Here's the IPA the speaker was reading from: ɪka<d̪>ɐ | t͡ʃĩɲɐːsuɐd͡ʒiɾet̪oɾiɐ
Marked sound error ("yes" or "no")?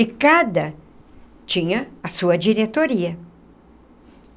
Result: no